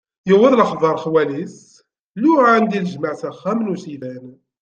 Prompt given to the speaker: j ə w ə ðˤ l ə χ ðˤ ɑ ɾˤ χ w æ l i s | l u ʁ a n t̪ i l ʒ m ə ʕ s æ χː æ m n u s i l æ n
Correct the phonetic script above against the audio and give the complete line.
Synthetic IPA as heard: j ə w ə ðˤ l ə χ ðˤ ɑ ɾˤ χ w æ l i s | l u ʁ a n d̪ i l ʒ m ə ʕ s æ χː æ m n u s i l æ n